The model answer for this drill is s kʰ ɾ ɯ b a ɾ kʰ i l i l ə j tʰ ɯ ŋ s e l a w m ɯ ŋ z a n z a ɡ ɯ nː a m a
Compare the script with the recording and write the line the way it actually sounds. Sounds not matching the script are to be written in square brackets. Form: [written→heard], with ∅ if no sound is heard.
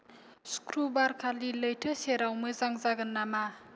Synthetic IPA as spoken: s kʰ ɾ [ɯ→u] b a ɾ kʰ [i→a] l i l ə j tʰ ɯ [ŋ→∅] s e [l→ɾ] a w m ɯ [ŋ→∅] z a [n→ŋ] z a ɡ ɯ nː a m a